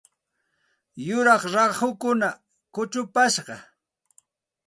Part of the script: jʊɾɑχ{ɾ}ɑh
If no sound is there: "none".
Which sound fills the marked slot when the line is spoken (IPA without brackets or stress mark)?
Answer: ɾ